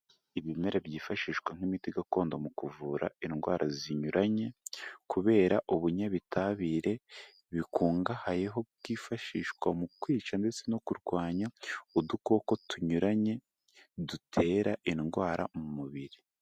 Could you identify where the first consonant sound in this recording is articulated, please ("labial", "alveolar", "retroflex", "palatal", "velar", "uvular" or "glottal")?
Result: labial